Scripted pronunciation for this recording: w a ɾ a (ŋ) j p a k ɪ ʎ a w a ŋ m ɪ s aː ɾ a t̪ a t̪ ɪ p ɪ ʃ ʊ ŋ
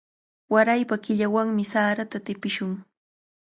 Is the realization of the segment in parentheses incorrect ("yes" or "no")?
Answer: yes